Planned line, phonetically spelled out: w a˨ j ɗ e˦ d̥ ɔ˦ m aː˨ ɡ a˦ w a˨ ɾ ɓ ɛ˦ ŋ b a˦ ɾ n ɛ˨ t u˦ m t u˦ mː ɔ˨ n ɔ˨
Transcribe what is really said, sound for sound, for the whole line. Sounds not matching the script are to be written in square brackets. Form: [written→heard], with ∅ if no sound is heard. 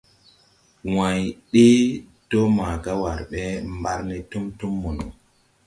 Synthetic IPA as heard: w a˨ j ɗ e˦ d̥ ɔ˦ m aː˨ ɡ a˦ w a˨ ɾ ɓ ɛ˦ [ŋ→m] b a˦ ɾ n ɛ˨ t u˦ m t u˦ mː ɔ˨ n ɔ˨